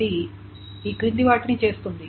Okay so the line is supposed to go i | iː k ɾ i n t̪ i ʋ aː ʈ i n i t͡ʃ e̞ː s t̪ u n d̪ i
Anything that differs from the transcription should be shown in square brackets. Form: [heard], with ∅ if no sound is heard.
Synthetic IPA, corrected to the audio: i | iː k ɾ i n [d̪] i ʋ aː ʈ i n i t͡ʃ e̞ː s t̪ u n d̪ i